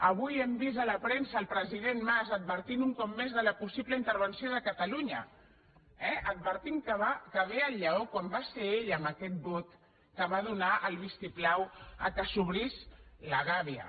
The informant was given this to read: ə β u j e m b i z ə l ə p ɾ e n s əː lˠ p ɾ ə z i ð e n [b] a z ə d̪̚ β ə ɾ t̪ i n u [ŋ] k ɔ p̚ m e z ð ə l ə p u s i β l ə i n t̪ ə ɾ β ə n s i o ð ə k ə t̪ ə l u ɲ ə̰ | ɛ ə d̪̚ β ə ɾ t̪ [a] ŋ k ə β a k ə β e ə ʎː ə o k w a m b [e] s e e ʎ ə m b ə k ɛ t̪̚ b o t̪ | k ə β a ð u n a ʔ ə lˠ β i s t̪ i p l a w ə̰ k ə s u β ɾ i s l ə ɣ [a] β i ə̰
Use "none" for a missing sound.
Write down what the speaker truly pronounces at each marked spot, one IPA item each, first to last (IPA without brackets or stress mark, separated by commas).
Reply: m, ŋ, i, a, a